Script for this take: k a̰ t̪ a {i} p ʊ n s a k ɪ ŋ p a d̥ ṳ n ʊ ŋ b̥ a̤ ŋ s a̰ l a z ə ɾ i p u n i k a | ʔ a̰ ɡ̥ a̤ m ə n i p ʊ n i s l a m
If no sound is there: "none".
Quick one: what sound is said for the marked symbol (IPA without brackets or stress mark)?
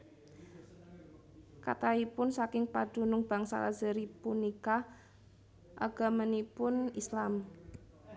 i